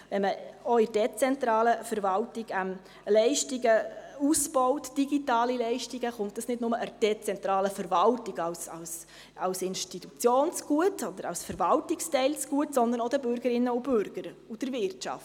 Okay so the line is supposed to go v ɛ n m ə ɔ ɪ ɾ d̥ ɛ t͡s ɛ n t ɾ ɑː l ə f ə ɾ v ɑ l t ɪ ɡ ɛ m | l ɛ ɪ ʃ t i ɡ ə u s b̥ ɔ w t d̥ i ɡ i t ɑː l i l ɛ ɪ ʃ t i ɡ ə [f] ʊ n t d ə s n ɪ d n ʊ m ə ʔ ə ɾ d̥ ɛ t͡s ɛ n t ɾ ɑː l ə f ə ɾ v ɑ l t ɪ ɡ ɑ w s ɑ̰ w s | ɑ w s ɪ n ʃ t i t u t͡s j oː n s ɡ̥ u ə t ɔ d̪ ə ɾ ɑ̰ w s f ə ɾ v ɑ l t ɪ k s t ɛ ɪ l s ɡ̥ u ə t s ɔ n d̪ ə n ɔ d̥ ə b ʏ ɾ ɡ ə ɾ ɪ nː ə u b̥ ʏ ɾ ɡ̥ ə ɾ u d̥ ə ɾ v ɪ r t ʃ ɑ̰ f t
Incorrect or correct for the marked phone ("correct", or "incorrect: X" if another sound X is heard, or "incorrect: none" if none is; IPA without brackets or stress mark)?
incorrect: χ